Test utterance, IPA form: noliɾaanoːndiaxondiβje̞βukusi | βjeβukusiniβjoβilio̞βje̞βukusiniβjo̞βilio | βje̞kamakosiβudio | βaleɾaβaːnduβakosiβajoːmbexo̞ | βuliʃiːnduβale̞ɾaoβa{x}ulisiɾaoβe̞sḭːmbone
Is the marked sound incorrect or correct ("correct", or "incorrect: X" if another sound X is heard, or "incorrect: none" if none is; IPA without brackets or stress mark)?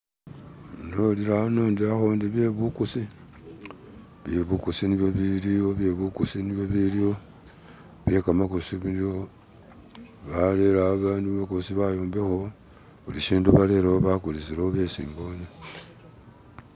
incorrect: k